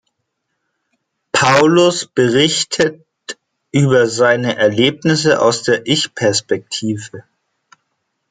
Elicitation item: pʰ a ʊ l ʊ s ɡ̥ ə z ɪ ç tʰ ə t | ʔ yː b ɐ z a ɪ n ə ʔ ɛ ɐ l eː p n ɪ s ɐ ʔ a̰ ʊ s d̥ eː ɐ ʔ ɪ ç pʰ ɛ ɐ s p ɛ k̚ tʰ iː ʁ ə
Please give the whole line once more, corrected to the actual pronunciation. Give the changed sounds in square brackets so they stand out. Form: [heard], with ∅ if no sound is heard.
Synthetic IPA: pʰ a ʊ l ʊ s [b̥] ə [ʁ] ɪ ç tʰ ə t | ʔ yː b ɐ z a ɪ n ə ʔ ɛ ɐ l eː p n ɪ s [ə] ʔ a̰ ʊ s d̥ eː ɐ ʔ ɪ ç pʰ ɛ ɐ s p ɛ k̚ tʰ iː [v] ə